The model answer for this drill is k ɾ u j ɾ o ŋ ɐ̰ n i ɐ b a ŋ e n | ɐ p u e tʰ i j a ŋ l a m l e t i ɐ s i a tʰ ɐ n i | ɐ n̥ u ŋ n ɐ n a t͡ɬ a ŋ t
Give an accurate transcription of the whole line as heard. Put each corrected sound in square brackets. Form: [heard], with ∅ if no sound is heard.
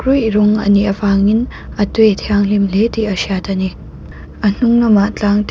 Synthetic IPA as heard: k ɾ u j ɾ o ŋ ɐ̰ n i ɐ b a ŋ [i] n | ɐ [t] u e tʰ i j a ŋ l [i] m l e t i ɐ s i a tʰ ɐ n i | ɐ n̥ u ŋ n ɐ [m] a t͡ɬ a ŋ t